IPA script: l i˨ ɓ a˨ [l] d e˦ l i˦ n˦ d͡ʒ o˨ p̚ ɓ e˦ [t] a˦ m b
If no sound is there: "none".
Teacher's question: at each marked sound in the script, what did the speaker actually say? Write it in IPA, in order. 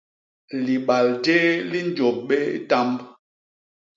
l, t

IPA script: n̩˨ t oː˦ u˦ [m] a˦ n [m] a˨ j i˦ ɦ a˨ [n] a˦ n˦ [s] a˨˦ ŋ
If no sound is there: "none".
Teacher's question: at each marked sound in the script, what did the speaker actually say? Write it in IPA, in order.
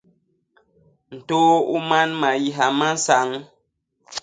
m, m, m, s

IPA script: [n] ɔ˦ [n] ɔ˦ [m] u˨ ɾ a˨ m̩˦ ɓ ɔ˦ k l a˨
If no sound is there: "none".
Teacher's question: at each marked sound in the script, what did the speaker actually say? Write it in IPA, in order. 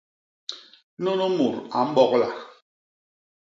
n, n, m

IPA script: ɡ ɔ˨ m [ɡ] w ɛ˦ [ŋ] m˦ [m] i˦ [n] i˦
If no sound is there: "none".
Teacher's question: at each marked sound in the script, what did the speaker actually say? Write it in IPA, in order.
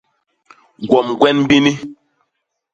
ɡ, n, b, n

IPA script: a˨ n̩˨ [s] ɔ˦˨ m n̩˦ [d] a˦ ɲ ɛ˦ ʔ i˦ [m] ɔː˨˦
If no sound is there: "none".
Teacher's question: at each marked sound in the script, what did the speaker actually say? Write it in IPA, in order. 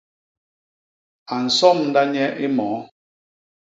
s, d, m

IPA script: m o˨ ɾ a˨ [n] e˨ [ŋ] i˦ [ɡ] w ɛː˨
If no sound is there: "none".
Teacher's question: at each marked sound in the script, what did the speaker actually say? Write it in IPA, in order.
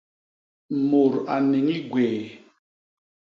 n, ŋ, ɡ

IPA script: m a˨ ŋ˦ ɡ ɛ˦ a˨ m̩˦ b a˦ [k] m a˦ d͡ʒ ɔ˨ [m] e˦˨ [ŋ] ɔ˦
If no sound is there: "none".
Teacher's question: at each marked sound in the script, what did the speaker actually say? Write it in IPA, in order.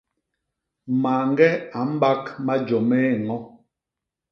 k, m, ŋ

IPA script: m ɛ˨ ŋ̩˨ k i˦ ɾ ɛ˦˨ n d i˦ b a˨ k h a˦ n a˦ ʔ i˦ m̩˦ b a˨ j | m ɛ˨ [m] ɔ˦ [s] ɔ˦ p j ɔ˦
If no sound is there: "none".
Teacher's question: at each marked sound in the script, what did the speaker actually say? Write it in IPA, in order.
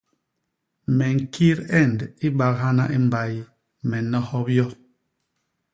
n, h

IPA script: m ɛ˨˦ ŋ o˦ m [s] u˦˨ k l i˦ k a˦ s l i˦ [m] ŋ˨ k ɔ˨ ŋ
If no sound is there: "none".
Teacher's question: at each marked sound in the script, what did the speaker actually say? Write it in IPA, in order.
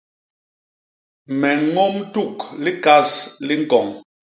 t, none

